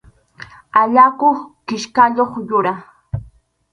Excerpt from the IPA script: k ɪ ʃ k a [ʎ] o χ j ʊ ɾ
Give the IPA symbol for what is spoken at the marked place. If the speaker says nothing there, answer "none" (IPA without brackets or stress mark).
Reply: ʎ